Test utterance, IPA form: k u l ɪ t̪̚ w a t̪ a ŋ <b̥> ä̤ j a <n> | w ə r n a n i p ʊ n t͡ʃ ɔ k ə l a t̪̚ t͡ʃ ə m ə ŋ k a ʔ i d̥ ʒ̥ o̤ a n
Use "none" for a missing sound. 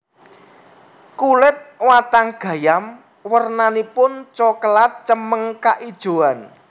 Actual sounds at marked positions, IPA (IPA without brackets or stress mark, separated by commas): ɡ̥, m